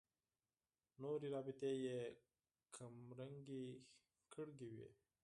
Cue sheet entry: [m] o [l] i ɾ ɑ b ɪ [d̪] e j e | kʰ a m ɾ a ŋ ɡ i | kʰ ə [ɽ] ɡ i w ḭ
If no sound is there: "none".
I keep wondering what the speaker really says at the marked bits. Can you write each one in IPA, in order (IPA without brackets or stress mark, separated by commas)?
n, ɾ, t̪, ɽ